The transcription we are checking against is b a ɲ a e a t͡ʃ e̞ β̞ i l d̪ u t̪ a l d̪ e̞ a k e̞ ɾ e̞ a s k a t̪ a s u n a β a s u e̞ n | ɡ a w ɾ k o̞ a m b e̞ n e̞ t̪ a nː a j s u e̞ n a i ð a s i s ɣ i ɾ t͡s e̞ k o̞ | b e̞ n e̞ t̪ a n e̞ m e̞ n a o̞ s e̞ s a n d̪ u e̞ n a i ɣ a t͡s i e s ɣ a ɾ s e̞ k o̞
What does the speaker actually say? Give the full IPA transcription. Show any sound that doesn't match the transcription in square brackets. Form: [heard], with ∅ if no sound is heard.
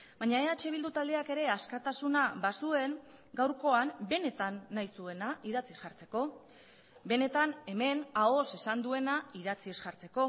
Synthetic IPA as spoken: b a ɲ a e a t͡ʃ e̞ β̞ i l d̪ u t̪ a l d̪ e̞ a k e̞ ɾ e̞ a s k a t̪ a s u n a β a s u e̞ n | ɡ a w ɾ k o̞ a m b e̞ n e̞ t̪ a nː a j s u e̞ n a i ð a [t͡s] i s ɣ [a] ɾ t͡s e̞ k o̞ | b e̞ n e̞ t̪ a n e̞ m e̞ n a o̞ s e̞ s a n d̪ u e̞ n a i [ð] a t͡s i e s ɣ a ɾ [t͡s] e̞ k o̞